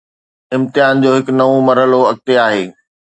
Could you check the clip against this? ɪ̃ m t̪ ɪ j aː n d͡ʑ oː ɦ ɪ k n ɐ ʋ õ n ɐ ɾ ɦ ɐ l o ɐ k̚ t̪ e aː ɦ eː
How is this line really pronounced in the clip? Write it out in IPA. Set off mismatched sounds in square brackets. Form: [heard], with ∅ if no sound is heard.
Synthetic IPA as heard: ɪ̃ m t̪ ɪ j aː n d͡ʑ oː ɦ ɪ k n ɐ ʋ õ [m] ɐ ɾ ɦ [ə] l o ɐ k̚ t̪ e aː ɦ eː